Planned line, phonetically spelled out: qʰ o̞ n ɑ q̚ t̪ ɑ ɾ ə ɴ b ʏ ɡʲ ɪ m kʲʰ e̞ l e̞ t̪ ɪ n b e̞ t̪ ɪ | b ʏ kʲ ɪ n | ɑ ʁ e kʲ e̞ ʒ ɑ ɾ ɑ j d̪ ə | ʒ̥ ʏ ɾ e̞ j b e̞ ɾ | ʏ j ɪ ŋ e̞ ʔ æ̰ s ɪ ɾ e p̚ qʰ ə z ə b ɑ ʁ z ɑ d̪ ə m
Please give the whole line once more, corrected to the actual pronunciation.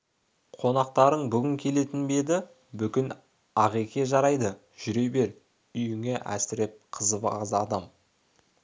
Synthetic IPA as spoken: qʰ o̞ n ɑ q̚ t̪ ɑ ɾ ə ɴ b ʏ ɡʲ ɪ ŋ kʲʰ e̞ l e̞ t̪ ɪ n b e̞ d̪ ɪ | b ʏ kʲ ɪ n | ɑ ʁ e kʲ e̞ ʒ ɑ ɾ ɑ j d̪ ə | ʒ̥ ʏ ɾ e̞ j b e̞ ɾ | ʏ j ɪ ŋ e̞ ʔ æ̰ s ɪ ɾ e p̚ qʰ ə z ə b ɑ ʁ z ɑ d̪ ɑ m